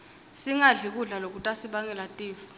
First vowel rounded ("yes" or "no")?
no